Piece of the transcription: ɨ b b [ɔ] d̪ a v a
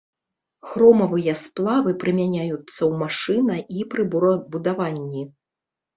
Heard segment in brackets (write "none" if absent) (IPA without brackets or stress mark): u